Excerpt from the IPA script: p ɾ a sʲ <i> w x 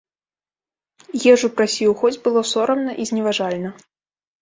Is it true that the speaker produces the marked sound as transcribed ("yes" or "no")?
yes